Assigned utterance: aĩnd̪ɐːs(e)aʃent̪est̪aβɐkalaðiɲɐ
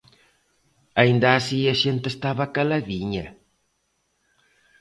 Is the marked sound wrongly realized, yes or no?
yes